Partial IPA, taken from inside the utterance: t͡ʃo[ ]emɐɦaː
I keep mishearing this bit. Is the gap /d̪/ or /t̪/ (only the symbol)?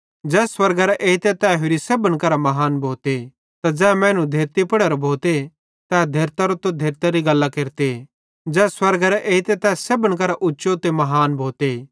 t̪